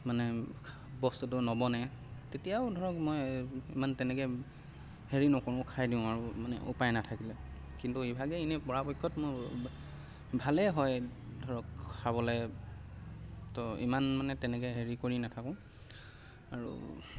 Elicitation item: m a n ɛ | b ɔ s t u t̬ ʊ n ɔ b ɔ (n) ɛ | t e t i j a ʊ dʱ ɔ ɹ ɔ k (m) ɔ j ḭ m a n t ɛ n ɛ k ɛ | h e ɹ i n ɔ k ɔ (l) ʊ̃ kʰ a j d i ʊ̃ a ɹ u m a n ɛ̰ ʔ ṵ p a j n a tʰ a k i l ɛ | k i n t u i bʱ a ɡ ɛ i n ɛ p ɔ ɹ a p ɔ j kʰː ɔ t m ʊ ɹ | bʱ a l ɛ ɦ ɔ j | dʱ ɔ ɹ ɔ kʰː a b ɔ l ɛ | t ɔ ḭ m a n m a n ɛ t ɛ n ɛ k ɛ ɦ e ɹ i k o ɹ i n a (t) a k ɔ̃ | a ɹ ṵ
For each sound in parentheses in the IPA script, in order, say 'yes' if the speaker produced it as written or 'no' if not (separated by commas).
yes, yes, no, no